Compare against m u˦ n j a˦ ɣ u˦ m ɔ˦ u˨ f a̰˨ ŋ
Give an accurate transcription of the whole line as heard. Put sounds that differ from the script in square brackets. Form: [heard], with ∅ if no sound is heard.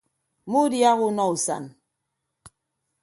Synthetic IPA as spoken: m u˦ [d] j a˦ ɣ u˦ [n] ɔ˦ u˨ [s] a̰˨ [n]